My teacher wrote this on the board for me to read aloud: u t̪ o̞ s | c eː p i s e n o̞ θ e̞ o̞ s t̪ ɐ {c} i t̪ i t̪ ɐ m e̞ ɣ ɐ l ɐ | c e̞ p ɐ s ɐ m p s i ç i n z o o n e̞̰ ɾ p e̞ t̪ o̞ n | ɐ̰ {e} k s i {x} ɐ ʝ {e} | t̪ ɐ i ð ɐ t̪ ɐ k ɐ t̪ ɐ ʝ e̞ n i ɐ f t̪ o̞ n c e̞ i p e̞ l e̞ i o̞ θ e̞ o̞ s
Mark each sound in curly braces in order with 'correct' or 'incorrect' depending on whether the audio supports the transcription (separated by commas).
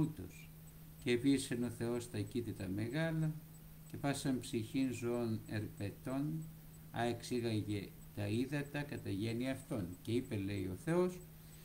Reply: correct, correct, incorrect, correct